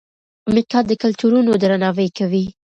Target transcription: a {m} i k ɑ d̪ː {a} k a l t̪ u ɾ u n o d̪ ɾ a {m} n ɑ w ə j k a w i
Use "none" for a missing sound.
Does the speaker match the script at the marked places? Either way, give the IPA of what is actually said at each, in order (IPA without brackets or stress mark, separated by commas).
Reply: m, ə, none